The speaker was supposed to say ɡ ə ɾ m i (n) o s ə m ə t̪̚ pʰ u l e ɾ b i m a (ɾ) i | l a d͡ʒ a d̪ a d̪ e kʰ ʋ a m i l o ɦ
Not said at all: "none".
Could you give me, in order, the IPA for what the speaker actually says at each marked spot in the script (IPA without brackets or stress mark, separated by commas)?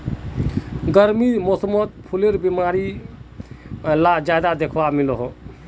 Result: m, ɾ